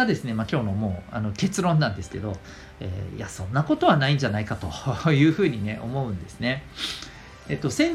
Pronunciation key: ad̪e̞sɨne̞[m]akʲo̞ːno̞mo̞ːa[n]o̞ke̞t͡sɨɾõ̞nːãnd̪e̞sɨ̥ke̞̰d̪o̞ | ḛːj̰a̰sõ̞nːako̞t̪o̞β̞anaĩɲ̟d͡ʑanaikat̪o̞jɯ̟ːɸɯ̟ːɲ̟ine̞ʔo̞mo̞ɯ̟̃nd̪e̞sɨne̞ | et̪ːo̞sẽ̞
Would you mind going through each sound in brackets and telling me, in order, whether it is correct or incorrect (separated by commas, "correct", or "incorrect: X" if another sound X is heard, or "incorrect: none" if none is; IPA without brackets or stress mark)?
correct, correct